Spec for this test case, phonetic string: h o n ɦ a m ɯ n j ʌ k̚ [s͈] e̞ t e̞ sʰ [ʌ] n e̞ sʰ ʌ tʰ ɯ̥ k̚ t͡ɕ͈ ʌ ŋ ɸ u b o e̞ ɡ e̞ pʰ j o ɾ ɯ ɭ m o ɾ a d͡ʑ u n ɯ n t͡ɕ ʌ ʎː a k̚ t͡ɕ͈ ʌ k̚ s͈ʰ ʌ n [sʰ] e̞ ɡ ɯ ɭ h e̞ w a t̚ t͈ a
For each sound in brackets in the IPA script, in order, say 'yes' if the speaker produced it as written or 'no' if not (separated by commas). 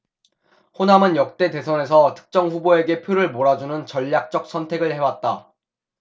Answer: no, yes, no